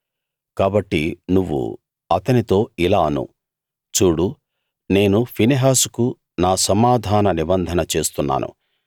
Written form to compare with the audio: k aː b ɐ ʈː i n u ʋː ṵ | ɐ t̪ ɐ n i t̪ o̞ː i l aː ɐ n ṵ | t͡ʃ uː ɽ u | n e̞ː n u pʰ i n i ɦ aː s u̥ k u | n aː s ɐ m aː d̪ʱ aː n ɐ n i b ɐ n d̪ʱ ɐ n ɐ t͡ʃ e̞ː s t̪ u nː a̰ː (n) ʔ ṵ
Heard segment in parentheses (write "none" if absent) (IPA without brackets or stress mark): n